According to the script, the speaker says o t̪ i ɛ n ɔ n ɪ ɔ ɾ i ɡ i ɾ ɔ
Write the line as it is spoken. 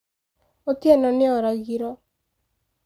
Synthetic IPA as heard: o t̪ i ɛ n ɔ n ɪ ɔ ɾ a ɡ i ɾ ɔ